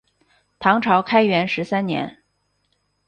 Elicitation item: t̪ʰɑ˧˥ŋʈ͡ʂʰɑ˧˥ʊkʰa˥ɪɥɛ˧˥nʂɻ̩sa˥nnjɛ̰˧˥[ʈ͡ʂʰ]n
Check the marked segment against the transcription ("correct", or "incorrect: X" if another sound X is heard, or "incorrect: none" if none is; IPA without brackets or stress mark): incorrect: none